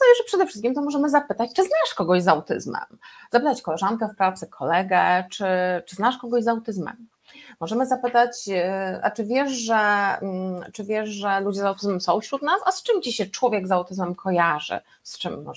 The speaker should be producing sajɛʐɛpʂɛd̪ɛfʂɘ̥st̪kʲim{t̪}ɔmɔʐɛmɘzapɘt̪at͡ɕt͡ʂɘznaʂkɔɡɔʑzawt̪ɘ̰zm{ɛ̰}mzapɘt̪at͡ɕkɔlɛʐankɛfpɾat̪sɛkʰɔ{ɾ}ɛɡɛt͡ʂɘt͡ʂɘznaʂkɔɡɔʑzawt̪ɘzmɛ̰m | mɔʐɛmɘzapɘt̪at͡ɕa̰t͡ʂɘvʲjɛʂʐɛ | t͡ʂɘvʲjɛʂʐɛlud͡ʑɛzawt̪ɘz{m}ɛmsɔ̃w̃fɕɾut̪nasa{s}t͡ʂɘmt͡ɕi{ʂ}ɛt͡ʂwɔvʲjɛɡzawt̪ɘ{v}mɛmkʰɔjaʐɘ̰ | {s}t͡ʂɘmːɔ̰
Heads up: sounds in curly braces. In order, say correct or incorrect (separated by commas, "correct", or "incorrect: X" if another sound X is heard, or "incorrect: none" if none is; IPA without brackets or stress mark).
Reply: correct, correct, incorrect: l, correct, correct, incorrect: ɕ, incorrect: z, correct